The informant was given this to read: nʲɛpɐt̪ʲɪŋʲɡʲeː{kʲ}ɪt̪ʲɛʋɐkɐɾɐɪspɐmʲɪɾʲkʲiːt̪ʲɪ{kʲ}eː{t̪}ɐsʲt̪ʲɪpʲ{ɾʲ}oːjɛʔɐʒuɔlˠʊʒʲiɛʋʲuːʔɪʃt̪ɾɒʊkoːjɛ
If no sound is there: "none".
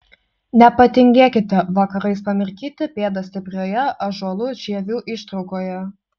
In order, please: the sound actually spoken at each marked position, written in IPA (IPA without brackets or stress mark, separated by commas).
kʲ, pʲ, d̪, ɾʲ